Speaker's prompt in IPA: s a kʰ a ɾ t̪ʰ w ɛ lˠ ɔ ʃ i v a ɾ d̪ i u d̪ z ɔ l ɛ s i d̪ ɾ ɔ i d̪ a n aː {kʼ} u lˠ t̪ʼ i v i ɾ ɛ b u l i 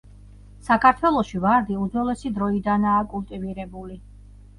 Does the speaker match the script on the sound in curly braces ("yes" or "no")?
yes